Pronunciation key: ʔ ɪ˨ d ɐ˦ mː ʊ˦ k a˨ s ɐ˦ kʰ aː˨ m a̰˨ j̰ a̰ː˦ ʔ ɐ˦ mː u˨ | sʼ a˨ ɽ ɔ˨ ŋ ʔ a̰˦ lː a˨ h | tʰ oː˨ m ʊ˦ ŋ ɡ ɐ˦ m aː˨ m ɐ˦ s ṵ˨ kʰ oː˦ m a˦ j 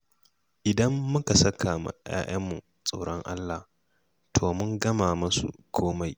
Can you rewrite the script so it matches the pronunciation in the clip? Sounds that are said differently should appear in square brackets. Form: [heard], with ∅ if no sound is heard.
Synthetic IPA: ʔ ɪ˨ d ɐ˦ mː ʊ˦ k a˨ s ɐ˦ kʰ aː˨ m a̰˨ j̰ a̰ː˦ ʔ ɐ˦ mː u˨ | sʼ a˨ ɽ [ɔ˦] ŋ ʔ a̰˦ lː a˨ h | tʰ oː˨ m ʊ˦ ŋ ɡ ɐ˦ m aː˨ m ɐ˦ s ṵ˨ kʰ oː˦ m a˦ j